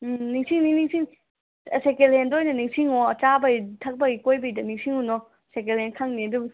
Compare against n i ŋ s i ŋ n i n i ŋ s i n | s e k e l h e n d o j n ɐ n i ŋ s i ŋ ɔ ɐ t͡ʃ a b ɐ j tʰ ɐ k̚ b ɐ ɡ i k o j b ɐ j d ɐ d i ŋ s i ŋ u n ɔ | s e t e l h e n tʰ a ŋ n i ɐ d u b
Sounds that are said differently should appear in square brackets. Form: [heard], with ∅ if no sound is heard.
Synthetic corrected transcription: n i ŋ s i ŋ n i n i ŋ s i [ŋ] | s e k e l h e n d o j n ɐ n i ŋ s i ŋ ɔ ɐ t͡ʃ a b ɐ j tʰ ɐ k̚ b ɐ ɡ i k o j b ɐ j d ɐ [n] i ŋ s i ŋ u n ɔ | s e [k] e l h e n [kʰ] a ŋ n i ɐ d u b